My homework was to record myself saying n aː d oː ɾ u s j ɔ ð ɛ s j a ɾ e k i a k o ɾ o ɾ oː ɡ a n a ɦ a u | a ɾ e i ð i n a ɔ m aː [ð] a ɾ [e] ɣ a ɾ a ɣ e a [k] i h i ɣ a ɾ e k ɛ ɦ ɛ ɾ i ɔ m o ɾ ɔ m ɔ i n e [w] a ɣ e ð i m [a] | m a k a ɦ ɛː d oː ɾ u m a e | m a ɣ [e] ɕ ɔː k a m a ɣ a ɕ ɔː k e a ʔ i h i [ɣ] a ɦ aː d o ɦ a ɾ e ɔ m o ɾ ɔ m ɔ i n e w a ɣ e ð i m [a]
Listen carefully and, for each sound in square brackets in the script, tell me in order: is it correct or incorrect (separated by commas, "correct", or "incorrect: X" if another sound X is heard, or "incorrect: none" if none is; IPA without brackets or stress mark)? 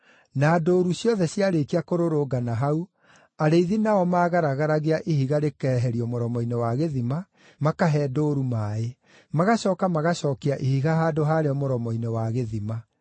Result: incorrect: ɣ, incorrect: a, incorrect: ʔ, correct, correct, incorrect: a, correct, correct